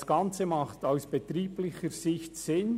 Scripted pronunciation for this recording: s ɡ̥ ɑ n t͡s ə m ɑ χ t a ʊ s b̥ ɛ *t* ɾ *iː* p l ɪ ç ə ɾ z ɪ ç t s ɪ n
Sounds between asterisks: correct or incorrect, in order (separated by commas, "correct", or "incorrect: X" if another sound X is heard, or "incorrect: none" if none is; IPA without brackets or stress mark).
correct, correct